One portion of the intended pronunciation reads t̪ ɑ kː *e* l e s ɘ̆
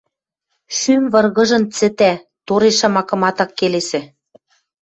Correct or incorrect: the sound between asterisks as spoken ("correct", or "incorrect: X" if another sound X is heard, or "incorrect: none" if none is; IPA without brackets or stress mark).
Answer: correct